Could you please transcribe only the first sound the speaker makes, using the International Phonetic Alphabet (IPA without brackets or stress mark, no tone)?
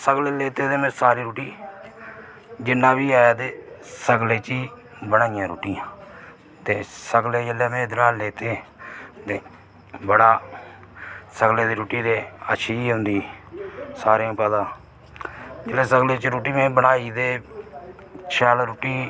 s